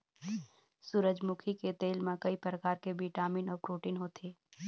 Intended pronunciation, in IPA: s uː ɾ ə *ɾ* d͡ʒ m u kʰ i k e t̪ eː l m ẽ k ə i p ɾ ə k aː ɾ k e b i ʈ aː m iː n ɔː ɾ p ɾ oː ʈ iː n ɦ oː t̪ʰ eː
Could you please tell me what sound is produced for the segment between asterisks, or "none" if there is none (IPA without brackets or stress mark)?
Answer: none